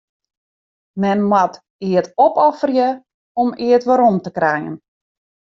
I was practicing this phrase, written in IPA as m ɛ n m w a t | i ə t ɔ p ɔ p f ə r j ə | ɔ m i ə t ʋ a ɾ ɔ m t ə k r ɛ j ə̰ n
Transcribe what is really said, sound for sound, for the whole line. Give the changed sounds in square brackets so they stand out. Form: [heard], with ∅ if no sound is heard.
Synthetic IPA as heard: m ɛ n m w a t | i ə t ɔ p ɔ [∅] f ə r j ə | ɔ m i ə t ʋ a ɾ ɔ m t ə k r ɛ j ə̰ n

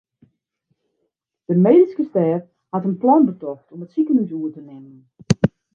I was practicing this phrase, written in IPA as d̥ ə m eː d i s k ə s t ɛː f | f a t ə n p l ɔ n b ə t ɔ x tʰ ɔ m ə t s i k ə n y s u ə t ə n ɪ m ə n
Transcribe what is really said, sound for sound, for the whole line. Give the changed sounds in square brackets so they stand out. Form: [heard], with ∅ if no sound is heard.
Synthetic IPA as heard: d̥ ə m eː d i s k ə s t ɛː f | [h] a t ə n p l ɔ n b ə t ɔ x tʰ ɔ m ə t s i k ə n y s u ə t ə n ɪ m ə n

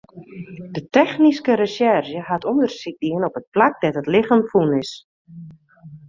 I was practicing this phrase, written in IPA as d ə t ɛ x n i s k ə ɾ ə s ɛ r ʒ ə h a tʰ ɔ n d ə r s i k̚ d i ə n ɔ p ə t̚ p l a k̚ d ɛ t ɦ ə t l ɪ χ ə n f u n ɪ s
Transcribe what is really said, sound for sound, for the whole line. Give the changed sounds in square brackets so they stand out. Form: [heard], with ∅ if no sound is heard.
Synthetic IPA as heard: d ə t ɛ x n i s k ə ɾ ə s ɛ r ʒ ə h a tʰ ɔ n d ə r s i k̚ d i ə n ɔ p ə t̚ p l a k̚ d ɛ t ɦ ə t l ɪ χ ə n f u n ɪ s

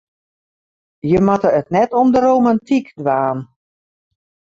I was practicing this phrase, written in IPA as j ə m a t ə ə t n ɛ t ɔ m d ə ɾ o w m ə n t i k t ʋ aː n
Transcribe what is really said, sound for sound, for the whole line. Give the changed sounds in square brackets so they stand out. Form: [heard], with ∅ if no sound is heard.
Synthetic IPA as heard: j ə m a t ə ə t n ɛ t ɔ m d ə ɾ o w m [a] n t i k [d] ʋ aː n

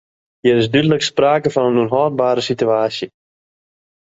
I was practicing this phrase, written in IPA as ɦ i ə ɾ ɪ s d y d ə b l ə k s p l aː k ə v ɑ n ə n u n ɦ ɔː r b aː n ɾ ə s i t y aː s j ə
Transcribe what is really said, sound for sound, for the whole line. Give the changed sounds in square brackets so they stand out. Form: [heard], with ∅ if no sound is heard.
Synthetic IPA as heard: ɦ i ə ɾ ɪ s d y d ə [∅] l ə k s p [r] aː k ə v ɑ n ə n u n ɦ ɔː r b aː [∅] ɾ ə s i t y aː s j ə

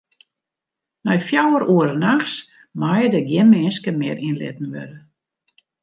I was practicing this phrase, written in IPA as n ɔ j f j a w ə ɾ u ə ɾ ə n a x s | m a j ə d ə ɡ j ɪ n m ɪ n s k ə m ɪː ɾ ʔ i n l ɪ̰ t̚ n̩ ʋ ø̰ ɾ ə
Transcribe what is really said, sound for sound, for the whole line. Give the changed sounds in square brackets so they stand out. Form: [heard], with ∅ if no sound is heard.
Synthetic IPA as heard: n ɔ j f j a w ə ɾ u ə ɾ ə n a x s | m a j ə d ə ɡ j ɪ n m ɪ n s k ə m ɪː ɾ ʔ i n l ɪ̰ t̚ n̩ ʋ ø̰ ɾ ə

